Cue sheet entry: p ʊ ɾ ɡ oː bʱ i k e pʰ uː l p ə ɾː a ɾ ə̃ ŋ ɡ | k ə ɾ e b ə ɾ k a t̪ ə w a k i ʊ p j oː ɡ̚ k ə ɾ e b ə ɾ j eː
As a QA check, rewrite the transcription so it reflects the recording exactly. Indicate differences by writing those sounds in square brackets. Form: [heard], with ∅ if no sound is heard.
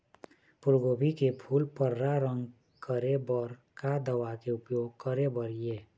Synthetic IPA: p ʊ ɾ ɡ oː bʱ i k e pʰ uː l p ə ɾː a ɾ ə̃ ŋ ɡ | k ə ɾ e b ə ɾ k a [d̪] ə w a k [e] ʊ p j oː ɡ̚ k ə ɾ e b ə ɾ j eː